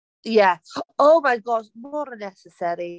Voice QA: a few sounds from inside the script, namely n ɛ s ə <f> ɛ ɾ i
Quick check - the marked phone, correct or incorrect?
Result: incorrect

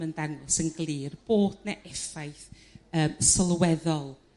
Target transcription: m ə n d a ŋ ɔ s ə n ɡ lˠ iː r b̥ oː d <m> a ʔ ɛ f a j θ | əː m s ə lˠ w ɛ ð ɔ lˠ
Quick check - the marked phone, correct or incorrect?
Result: incorrect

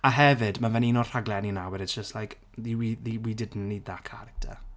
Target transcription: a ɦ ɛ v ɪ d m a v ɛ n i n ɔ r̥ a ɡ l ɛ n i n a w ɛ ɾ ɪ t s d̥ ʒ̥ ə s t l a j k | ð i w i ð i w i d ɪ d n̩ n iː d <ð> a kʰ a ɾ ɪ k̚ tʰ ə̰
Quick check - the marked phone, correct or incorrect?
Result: correct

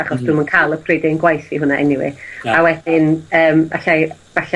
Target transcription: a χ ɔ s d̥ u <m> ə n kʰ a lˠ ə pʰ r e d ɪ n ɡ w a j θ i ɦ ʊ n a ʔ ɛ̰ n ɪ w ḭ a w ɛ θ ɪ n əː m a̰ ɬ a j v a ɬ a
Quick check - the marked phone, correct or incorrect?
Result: correct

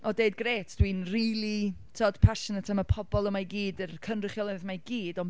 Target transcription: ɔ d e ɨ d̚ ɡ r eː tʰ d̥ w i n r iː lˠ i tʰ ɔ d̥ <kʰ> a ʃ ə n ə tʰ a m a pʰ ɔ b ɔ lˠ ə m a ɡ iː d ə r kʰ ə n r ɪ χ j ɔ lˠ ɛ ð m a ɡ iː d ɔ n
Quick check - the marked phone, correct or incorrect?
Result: incorrect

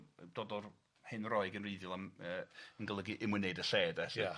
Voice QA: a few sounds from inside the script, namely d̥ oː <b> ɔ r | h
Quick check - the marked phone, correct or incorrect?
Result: incorrect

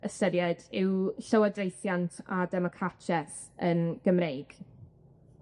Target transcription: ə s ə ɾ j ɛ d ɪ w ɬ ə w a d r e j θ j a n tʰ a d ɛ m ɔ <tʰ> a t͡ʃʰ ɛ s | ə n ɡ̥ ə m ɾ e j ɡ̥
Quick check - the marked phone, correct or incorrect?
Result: incorrect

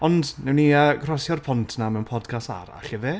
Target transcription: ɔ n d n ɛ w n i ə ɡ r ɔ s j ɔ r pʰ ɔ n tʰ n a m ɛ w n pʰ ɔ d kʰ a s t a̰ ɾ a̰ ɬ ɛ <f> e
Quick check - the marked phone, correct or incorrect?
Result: incorrect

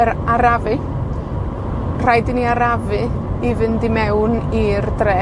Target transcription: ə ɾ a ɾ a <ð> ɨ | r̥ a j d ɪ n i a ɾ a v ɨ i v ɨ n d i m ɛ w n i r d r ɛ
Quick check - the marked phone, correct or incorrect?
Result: incorrect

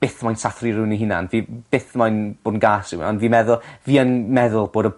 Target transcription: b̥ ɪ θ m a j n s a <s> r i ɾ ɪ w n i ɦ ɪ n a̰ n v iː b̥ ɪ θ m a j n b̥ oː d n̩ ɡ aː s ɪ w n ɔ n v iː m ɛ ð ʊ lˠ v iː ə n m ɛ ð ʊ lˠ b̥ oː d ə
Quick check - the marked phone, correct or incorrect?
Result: incorrect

